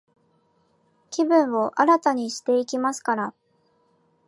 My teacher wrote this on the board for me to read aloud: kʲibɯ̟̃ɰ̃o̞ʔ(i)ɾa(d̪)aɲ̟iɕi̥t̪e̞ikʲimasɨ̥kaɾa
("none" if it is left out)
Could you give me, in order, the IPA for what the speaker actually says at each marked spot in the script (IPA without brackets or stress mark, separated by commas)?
a, t̪